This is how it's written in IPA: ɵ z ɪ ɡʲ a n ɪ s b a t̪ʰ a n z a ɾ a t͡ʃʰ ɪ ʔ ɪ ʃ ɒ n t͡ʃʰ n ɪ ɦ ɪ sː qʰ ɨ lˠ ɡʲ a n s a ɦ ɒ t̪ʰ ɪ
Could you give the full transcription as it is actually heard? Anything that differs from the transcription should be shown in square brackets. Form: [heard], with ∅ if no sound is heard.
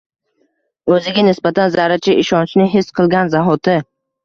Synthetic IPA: ɵ z ɪ ɡʲ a n ɪ s b a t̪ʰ a n z a ɾ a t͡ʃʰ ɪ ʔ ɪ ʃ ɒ n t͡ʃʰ n ɪ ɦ ɪ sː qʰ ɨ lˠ ɡʲ a n [z] a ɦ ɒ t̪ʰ ɪ